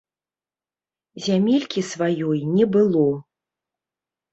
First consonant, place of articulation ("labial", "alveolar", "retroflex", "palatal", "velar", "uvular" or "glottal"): alveolar